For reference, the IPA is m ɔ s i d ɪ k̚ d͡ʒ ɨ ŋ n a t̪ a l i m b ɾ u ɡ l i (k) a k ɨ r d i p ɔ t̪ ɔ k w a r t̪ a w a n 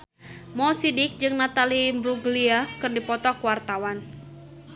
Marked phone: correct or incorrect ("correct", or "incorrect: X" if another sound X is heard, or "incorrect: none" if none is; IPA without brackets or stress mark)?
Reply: incorrect: none